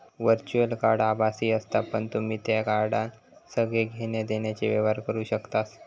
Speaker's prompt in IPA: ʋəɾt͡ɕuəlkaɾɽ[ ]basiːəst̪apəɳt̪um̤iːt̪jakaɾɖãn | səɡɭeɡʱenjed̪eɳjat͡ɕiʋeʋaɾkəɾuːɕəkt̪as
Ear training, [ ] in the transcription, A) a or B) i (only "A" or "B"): A